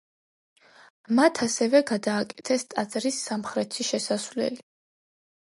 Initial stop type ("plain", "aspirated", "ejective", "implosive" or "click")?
aspirated